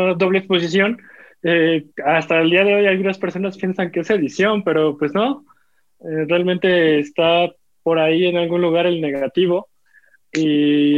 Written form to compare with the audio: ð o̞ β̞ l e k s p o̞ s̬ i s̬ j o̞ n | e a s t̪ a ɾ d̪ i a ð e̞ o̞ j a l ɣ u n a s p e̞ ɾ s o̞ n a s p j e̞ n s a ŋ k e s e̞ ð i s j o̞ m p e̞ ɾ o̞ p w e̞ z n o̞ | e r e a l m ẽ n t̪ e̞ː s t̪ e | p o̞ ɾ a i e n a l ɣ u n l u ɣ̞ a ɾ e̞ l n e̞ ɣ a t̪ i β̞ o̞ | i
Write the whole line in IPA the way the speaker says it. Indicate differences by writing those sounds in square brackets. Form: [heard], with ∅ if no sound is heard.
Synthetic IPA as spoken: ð o̞ β̞ l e k s p o̞ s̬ i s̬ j o̞ n | e a s t̪ a [l] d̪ i a ð e̞ o̞ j a l ɣ u n a s p e̞ ɾ s o̞ n a s p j e̞ n s a ŋ k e s e̞ ð i s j o̞ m p e̞ ɾ o̞ p w e̞ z n o̞ | e r e a l m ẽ n t̪ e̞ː s t̪ [a] | p o̞ ɾ a i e n a l ɣ u n l u ɣ̞ a ɾ e̞ l n e̞ ɣ a t̪ i β̞ o̞ | i